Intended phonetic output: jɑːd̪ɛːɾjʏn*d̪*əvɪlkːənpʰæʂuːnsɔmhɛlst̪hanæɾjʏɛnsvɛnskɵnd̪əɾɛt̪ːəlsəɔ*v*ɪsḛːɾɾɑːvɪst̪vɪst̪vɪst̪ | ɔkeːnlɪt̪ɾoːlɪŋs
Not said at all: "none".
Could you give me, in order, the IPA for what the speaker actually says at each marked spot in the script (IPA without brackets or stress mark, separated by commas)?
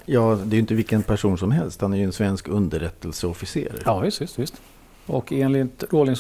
t̪, f